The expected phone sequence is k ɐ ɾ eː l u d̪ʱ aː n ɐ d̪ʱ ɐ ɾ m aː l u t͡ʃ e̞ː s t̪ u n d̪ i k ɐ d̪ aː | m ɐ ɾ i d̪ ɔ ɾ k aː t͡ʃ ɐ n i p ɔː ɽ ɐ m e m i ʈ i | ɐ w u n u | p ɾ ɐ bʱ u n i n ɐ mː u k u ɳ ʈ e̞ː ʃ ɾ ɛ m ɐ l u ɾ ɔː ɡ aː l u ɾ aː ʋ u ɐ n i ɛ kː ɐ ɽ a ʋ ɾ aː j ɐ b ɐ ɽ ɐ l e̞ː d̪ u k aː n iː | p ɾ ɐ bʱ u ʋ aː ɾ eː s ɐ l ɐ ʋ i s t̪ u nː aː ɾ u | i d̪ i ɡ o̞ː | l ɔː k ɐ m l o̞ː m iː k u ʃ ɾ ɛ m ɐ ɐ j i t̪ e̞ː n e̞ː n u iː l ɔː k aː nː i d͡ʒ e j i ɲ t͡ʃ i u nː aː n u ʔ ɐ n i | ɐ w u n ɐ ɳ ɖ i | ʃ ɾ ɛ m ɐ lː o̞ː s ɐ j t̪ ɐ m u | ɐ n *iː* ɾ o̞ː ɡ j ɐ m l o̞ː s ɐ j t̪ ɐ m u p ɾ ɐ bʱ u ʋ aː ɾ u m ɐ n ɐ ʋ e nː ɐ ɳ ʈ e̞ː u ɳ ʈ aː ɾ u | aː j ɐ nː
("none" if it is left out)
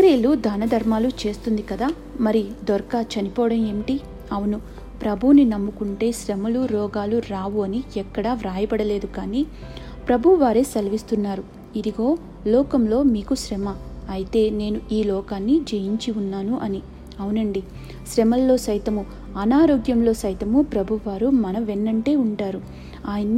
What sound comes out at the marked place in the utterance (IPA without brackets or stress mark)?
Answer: aː